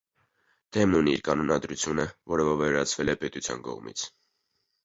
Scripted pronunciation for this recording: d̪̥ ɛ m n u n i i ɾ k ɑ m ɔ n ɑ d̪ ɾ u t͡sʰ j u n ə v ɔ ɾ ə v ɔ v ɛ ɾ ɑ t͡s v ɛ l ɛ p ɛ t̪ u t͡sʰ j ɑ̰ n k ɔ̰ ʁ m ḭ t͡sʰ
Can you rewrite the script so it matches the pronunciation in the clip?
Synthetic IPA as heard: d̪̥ ɛ m n u n i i ɾ k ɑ n ɔ n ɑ d̪ ɾ u t͡sʰ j u n ə v ɔ ɾ ə v ɔ v ɛ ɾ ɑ t͡sʰ v ɛ l ɛ p ɛ t̪ u t͡sʰ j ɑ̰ n k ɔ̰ ʁ m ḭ t͡sʰ

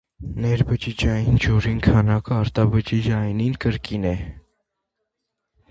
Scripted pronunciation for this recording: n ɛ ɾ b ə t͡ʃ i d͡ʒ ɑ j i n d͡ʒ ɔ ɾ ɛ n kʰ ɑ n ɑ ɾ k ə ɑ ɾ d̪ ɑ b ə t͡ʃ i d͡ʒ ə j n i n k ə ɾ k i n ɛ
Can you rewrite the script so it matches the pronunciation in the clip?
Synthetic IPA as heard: n ɛ ɾ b ə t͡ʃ i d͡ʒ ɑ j i n d͡ʒ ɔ ɾ i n kʰ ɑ n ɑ k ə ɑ ɾ t̪ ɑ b ə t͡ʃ i d͡ʒ ɑ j n i n k ə ɾ k i n ɛ

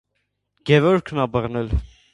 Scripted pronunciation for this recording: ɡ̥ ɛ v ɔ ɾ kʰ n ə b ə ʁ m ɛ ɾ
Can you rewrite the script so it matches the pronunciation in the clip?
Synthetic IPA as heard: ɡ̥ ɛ v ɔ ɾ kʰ n ɑ b ə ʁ n ɛ l

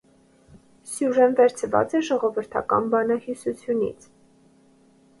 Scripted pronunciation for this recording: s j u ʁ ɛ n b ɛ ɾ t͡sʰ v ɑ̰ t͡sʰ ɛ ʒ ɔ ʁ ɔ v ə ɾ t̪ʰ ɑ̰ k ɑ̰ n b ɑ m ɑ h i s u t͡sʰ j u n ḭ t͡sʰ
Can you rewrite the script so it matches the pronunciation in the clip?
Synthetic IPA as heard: s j u ʒ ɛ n v ɛ ɾ t͡sʰ v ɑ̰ t͡s ɛ ʒ ɔ ʁ ɔ v ə ɾ t̪ʰ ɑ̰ k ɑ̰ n b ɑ n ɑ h i s u t͡sʰ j u n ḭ t͡sʰ

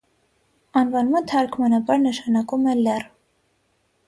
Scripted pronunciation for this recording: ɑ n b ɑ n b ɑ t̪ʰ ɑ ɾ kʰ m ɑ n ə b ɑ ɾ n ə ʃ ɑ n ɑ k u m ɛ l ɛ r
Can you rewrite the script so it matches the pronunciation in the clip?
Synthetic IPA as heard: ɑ n v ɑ n m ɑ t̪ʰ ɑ ɾ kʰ m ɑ n ɑ b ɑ ɾ n ə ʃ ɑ n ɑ k u m ɛ l ɛ r

